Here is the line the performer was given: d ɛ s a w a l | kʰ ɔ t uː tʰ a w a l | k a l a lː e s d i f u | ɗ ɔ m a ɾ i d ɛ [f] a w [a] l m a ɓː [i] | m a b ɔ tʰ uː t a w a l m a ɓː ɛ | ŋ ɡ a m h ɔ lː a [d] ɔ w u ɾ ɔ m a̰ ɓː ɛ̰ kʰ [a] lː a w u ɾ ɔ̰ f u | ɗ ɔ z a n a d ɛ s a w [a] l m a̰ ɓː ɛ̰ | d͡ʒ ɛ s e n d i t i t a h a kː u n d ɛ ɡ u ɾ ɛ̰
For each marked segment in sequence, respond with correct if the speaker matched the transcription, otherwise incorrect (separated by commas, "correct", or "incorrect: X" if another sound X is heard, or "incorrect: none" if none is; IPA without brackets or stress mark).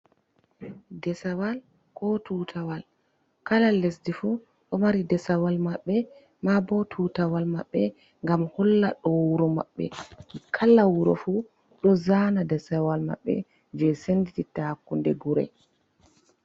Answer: incorrect: s, correct, incorrect: ɛ, incorrect: ɗ, correct, correct